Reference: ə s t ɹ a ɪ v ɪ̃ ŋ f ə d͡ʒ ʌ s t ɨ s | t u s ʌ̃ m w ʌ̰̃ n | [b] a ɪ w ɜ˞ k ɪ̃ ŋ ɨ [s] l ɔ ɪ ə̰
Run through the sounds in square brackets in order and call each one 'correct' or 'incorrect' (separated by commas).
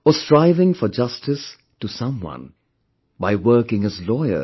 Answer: correct, incorrect